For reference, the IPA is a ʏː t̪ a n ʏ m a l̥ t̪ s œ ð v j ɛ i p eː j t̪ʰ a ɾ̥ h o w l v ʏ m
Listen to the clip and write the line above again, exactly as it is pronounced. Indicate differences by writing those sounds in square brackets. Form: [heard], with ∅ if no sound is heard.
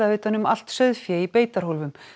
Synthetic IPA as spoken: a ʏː t̪ a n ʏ m a l̥ t̪ s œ ð [f] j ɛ i p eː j [t̪] a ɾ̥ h o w l v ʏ m